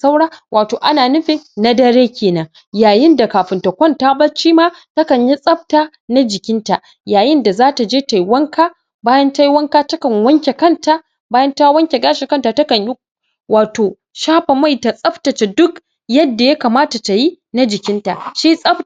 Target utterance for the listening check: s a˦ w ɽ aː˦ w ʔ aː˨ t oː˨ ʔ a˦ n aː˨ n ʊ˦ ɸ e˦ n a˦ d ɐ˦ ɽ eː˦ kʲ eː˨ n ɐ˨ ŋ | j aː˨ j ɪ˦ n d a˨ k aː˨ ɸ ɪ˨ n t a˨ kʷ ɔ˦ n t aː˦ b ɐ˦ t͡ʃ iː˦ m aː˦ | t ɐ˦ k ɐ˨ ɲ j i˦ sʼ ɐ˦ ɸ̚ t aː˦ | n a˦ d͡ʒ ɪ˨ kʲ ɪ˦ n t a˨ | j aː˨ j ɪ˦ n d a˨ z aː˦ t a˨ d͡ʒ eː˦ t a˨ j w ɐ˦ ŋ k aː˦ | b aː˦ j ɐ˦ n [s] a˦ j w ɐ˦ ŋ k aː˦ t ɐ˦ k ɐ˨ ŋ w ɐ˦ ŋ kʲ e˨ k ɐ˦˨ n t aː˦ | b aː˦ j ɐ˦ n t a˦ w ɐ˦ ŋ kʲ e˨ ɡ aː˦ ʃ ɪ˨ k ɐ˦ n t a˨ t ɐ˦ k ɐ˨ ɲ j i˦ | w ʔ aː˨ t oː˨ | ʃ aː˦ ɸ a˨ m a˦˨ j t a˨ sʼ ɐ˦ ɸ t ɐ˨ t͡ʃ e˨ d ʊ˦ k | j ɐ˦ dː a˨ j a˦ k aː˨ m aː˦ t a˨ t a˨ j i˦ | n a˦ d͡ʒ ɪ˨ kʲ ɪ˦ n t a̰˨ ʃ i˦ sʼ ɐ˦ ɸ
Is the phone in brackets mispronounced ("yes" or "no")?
yes